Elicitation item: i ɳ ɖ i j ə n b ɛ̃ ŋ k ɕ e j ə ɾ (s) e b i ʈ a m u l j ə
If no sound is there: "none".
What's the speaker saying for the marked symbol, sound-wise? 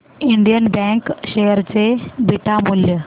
t͡s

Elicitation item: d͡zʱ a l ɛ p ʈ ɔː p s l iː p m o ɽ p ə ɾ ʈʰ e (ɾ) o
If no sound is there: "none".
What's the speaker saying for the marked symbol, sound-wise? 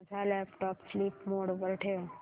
none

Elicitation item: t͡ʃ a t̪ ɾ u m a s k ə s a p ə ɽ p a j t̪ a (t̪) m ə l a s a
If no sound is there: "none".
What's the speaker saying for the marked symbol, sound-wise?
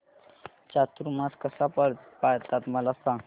t̪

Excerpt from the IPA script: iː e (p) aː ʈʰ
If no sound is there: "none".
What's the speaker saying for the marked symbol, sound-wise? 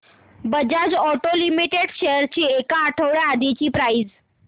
k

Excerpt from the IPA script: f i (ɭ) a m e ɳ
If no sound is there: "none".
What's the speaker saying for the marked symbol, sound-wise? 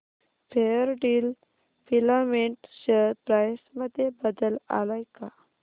l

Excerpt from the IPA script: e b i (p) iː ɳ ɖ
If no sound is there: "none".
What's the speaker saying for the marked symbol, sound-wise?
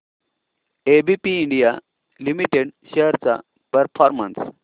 p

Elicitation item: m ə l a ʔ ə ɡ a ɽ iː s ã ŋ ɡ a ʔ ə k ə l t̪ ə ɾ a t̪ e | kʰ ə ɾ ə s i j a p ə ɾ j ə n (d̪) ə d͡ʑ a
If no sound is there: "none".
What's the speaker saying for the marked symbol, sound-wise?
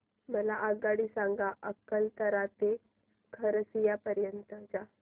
t̪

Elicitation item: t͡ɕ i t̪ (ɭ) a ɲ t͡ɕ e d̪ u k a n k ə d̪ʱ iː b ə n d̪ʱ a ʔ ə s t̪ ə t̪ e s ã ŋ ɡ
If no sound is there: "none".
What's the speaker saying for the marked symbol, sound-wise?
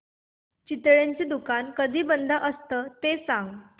ɭ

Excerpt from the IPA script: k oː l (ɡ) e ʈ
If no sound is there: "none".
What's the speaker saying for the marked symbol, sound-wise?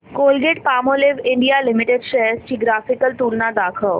ɡ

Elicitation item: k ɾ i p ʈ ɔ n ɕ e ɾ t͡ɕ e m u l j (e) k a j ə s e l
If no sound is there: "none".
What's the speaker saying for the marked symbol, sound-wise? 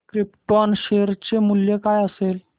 e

